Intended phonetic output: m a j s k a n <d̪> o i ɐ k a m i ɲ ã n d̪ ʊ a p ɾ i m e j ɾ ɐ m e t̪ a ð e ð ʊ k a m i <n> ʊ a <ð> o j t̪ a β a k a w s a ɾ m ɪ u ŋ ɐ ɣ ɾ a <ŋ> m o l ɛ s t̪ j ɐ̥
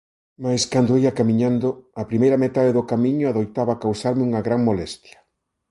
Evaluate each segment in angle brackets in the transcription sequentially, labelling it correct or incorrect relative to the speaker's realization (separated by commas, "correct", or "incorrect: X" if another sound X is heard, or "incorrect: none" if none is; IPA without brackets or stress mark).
correct, incorrect: ɲ, correct, correct